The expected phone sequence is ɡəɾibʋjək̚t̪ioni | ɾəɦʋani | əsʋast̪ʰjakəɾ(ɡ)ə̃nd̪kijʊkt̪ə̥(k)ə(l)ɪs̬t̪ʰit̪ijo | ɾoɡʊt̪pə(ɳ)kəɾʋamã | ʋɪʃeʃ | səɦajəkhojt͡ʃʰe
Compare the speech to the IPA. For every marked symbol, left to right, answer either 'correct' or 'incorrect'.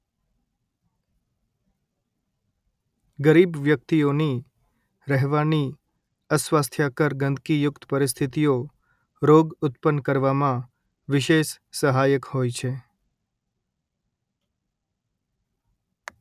correct, incorrect: p, incorrect: ɾ, incorrect: n

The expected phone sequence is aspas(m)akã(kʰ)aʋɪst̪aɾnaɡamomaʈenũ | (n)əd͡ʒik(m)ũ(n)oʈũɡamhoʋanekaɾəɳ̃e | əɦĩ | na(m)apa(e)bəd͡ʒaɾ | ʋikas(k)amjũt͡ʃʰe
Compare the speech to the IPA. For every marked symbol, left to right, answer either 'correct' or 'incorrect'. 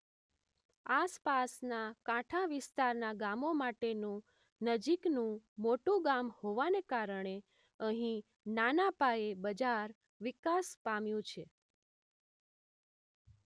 incorrect: n, incorrect: ʈʰ, correct, incorrect: n, incorrect: m, incorrect: n, correct, incorrect: p

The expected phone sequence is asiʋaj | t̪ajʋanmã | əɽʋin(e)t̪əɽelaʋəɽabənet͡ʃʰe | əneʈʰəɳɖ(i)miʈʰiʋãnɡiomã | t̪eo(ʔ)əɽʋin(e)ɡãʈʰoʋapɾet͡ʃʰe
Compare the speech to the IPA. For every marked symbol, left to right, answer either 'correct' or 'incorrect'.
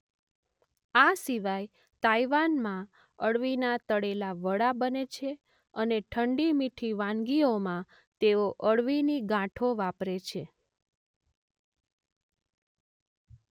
incorrect: a, correct, correct, incorrect: i

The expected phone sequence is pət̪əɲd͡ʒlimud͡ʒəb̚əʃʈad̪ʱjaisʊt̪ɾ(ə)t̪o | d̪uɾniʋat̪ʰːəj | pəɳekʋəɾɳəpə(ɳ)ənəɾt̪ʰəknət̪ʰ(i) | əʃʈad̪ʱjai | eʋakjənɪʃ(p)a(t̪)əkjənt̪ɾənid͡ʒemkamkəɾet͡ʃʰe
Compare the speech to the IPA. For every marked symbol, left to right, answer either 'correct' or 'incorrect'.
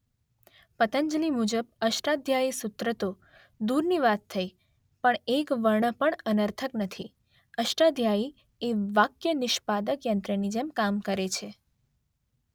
correct, correct, correct, correct, incorrect: d̪

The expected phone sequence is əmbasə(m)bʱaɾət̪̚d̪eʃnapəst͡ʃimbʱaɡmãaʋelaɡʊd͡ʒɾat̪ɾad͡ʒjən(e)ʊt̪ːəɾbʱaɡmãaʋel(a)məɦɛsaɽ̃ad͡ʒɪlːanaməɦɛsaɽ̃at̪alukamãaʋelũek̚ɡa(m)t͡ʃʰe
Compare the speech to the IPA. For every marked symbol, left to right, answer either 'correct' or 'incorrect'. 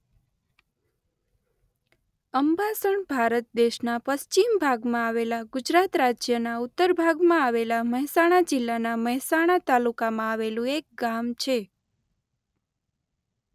incorrect: ɳ, incorrect: a, correct, correct

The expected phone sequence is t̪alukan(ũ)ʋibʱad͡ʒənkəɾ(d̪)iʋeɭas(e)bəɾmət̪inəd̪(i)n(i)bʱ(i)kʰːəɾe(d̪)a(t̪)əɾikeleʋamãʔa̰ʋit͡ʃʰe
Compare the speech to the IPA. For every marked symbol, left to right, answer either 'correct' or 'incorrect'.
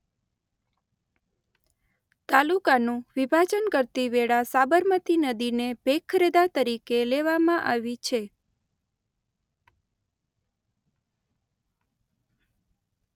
correct, incorrect: t̪, incorrect: a, correct, incorrect: e, incorrect: e, correct, correct

